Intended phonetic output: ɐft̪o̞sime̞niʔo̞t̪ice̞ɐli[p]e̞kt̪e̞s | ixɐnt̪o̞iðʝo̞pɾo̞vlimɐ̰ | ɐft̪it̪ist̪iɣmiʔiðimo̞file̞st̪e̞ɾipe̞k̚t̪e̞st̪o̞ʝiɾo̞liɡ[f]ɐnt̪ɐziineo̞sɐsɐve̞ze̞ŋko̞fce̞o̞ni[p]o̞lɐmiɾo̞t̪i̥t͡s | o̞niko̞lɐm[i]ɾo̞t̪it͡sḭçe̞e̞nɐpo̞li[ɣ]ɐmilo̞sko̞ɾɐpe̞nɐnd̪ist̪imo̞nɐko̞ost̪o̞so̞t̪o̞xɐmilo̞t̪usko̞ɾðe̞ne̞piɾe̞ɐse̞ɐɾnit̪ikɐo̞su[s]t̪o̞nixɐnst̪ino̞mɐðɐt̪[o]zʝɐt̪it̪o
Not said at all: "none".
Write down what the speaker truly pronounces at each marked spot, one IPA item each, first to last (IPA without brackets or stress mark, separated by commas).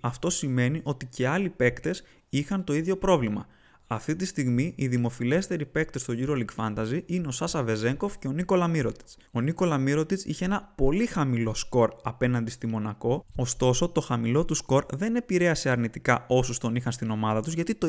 p, f, k, i, x, s, u